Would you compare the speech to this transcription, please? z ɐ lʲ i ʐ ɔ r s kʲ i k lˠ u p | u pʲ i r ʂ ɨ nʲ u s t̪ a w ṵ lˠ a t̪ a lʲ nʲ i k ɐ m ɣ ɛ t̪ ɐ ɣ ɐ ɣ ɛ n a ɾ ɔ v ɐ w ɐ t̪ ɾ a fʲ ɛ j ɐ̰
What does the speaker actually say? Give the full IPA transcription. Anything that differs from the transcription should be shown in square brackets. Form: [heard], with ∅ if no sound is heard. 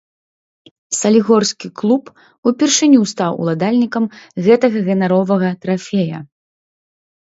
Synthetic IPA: [s] ɐ lʲ i [ɣ] ɔ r s kʲ i k lˠ u p | u pʲ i r ʂ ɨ nʲ u s t̪ a w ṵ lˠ a [d̪] a lʲ nʲ i k ɐ m ɣ ɛ t̪ ɐ ɣ ɐ ɣ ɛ n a ɾ ɔ v ɐ [ɣ] ɐ t̪ ɾ a fʲ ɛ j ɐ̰